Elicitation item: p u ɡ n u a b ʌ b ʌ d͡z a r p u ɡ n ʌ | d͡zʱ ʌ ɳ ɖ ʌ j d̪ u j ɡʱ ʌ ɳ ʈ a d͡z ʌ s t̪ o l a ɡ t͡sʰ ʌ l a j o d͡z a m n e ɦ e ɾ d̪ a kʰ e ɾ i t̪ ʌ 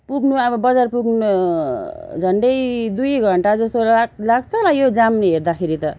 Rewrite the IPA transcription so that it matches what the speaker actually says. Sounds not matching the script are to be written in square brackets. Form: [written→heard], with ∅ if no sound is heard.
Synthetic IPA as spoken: p u ɡ n u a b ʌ b ʌ d͡z a r p u ɡ n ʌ | d͡zʱ ʌ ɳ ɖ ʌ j d̪ u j ɡʱ ʌ ɳ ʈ a d͡z ʌ s t̪ o l a ɡ t͡sʰ ʌ l a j o d͡z a m n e ɦ e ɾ d̪ a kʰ e ɾ i t̪ ʌ